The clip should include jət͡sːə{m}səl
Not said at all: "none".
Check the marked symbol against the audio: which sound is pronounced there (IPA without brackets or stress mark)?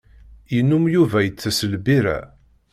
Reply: none